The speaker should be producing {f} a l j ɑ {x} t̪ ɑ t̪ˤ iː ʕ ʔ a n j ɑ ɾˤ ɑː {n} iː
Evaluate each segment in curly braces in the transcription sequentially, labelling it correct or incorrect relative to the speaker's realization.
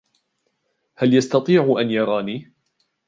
incorrect, incorrect, correct

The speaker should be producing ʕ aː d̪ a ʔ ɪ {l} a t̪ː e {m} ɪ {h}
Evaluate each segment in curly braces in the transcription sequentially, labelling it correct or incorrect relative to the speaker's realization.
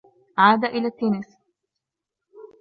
correct, incorrect, incorrect

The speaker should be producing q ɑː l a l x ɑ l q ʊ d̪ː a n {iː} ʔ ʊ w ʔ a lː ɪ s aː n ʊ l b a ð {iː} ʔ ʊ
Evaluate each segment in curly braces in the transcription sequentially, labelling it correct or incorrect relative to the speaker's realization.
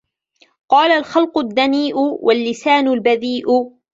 correct, correct

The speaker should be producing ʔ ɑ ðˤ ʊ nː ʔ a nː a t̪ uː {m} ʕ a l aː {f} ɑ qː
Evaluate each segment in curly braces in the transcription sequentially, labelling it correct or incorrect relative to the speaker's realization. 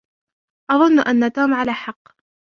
correct, incorrect

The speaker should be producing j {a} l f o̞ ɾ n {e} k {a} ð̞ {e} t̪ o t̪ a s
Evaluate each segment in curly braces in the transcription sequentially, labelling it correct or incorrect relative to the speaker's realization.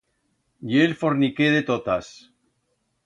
incorrect, incorrect, incorrect, correct

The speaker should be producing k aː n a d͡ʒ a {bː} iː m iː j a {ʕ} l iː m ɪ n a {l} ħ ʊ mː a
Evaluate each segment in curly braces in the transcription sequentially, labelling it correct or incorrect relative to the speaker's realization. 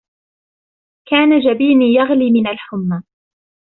incorrect, incorrect, correct

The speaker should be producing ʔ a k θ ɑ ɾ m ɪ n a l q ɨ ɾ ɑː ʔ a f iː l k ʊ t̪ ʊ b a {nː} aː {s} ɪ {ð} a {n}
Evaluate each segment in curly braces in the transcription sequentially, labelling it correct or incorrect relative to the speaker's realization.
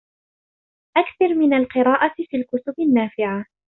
correct, incorrect, incorrect, incorrect

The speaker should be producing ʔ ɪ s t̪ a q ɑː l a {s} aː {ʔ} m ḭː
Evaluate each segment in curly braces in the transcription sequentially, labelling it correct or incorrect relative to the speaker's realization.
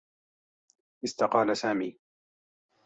correct, incorrect

